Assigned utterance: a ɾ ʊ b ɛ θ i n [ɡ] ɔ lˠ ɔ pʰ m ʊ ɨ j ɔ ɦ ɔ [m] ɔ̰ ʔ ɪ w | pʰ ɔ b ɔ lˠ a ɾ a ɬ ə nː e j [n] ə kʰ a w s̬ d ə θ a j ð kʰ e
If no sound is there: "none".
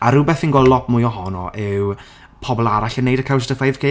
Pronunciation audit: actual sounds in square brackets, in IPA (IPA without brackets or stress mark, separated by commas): ɡ, n, d